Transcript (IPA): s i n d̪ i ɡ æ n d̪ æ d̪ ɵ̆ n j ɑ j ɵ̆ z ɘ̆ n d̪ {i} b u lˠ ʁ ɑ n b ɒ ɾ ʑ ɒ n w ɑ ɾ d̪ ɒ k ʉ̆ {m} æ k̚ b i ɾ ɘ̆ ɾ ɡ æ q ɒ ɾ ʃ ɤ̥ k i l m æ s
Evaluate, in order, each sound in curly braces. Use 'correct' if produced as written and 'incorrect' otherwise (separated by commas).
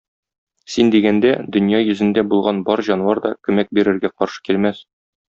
incorrect, correct